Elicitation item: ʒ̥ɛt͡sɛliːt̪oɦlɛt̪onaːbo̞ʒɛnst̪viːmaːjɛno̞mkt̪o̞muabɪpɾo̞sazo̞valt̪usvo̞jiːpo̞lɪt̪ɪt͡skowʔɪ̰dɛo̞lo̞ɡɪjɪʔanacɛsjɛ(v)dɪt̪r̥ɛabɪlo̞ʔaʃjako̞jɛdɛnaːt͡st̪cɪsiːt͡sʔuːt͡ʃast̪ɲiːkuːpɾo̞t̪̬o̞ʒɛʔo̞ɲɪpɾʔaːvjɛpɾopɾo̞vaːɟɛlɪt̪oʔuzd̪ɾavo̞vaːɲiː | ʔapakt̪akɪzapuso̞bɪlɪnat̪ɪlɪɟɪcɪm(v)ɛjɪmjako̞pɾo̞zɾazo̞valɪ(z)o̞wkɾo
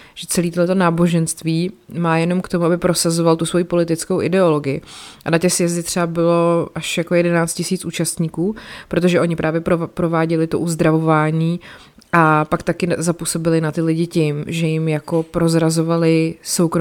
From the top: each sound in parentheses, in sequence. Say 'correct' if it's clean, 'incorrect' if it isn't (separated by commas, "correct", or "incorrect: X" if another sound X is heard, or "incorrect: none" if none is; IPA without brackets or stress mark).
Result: incorrect: z, incorrect: ʒ, incorrect: s